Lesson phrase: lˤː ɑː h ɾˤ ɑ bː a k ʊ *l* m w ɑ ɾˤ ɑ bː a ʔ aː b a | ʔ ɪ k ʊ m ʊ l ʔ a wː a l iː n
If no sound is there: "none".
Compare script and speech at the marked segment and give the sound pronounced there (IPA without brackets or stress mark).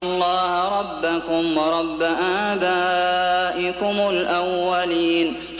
none